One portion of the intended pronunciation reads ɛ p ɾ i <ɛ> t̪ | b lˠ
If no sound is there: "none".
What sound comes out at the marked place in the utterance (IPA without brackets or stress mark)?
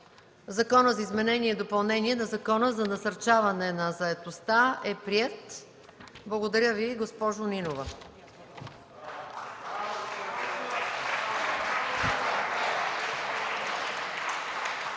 ɛ